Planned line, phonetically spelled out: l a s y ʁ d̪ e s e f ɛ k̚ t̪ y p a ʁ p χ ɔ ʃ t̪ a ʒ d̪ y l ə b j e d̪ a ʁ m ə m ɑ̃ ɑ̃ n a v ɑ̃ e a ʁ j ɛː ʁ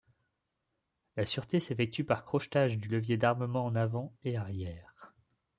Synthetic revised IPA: l a s y ʁ t̪ e s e f ɛ k̚ t̪ y p a ʁ k χ ɔ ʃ t̪ a ʒ d̪ y l ə v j e d̪ a ʁ m ə m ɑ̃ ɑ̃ n a v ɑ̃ e a ʁ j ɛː ʁ